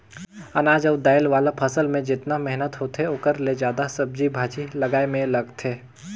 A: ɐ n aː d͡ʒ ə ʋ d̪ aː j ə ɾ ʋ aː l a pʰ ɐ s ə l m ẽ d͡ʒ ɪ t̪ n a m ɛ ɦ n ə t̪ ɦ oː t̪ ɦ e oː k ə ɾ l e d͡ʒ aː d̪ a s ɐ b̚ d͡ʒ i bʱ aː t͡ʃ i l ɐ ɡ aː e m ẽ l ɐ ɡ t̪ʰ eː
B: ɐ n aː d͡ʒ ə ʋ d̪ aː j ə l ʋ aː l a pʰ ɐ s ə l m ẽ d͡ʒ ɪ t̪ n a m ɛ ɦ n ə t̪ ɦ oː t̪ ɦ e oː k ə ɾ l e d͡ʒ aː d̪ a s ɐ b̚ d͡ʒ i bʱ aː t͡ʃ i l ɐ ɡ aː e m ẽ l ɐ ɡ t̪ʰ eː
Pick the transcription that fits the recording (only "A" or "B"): B